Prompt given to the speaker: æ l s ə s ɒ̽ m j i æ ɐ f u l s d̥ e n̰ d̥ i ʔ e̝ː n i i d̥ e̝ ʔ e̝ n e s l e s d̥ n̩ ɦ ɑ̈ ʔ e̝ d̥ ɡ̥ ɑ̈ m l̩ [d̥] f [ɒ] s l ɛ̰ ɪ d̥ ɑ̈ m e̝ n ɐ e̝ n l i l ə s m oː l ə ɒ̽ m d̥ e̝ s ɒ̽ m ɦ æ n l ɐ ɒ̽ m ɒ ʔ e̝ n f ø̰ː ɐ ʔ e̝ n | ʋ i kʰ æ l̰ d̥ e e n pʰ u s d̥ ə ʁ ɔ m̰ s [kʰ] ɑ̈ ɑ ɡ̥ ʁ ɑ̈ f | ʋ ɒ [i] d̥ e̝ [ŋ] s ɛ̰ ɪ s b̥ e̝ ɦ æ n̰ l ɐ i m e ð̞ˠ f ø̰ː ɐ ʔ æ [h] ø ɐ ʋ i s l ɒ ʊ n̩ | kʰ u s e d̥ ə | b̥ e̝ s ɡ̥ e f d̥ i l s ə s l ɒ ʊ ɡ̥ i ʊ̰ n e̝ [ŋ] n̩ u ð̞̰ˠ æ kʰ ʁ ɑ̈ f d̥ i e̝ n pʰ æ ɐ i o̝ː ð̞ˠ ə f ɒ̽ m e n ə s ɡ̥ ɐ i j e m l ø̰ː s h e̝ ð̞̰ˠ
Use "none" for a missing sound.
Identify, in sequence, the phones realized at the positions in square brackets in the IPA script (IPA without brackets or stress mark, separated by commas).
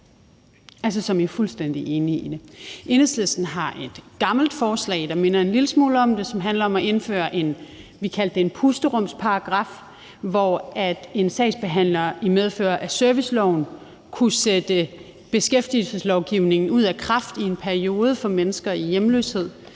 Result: d̥, ɒː, pʰ, æ, n, s, ŋ